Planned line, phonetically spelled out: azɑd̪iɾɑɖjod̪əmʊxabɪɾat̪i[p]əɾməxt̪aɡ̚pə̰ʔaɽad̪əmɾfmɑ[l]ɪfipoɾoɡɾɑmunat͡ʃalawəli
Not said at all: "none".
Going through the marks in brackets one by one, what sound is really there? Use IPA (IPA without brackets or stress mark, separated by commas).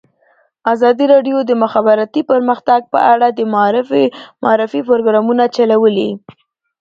p, ɾ